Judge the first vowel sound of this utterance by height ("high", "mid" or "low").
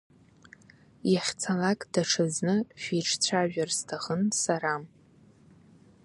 low